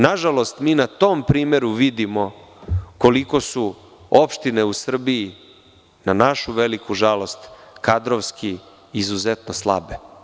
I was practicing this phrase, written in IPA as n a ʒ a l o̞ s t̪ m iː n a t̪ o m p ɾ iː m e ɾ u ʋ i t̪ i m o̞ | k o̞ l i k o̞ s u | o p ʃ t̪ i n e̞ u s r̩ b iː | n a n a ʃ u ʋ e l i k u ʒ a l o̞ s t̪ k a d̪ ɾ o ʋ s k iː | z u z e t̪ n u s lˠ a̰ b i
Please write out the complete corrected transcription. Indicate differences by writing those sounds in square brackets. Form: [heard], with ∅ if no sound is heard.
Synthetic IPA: n a ʒ a l o̞ s t̪ m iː n a t̪ o m p ɾ iː m e ɾ u ʋ i [d̪] i m o̞ | k o̞ l i k o̞ s u | o p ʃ t̪ i n e̞ u s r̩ b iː | n a n a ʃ u ʋ e l i k u ʒ a l o̞ s t̪ k a d̪ ɾ o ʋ s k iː | z u z e t̪ n [o] s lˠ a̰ b [e]

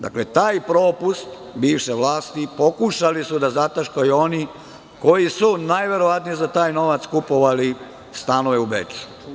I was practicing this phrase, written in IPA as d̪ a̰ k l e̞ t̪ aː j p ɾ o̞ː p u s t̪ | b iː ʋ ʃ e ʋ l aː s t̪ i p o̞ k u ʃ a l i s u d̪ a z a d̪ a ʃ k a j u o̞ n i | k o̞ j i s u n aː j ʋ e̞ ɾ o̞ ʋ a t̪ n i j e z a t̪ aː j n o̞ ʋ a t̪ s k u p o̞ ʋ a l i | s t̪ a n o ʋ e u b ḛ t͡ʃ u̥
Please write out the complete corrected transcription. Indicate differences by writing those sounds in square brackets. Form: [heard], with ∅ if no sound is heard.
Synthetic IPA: d̪ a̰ k l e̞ t̪ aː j p ɾ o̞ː p u s t̪ | b iː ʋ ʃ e ʋ l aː s t̪ i p o̞ k u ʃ a l i s u d̪ a z a [t̪] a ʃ k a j u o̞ n i | k o̞ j i s u n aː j ʋ e̞ ɾ o̞ ʋ a t̪ n i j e z a t̪ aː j n o̞ ʋ a t̪ s k u p o̞ ʋ a l i | s t̪ a n o ʋ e u b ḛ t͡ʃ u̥

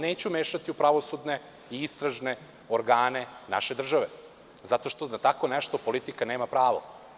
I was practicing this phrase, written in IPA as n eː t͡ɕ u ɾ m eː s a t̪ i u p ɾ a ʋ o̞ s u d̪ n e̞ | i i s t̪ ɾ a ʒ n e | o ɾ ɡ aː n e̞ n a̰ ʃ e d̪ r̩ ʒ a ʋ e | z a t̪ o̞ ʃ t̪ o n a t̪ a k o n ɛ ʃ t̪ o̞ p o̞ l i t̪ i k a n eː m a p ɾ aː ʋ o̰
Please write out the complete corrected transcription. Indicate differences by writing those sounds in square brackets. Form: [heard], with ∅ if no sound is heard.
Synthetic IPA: n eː t͡ɕ u [∅] m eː [ʃ] a t̪ i u p ɾ a ʋ o̞ s u d̪ n e̞ | i i s t̪ ɾ a ʒ n e | o ɾ ɡ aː n e̞ n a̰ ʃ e d̪ r̩ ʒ a ʋ e | z a t̪ o̞ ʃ t̪ o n a t̪ a k o n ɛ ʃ t̪ o̞ p o̞ l i t̪ i k a n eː m a p ɾ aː ʋ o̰

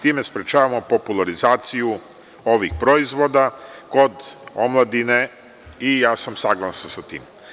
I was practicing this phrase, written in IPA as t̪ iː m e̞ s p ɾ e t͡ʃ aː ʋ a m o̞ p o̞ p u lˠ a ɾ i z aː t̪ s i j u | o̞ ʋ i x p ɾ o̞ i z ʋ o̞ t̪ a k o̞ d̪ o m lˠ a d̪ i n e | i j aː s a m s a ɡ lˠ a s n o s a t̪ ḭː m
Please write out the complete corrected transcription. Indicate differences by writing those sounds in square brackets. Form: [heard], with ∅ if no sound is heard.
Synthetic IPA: t̪ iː m e̞ s p ɾ e t͡ʃ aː ʋ a m o̞ p o̞ p u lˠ a ɾ i z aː t̪ s i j u | o̞ ʋ i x p ɾ o̞ i z ʋ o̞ [d̪] a k o̞ d̪ o m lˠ a d̪ i n e | i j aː s a m s a ɡ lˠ a s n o s a t̪ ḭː m

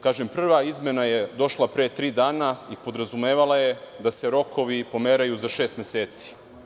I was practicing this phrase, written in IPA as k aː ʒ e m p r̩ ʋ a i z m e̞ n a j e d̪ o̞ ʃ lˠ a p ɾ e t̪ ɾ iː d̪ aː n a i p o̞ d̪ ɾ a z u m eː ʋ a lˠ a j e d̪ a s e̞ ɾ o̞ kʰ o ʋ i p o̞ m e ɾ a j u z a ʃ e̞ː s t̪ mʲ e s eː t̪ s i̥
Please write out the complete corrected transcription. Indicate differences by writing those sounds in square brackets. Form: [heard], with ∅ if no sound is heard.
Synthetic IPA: k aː ʒ e m p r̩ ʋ a i z m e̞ n a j e d̪ o̞ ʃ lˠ a p ɾ e t̪ ɾ iː d̪ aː n a i p o̞ d̪ ɾ a z u m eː ʋ a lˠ a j e d̪ a s e̞ ɾ o̞ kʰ o ʋ i p o̞ m e ɾ a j u z a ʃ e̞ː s t̪ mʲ e s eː t̪ s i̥

